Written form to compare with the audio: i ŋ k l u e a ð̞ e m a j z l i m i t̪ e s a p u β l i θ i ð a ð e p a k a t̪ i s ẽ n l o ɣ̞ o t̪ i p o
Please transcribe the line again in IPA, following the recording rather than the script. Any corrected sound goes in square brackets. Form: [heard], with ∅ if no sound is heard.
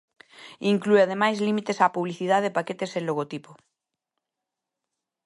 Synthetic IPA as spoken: i ŋ k l u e a ð̞ e m a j z l i m i t̪ e s a p u β l i θ i ð a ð e p a k [e] t̪ [e] s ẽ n l o ɣ̞ o t̪ i p o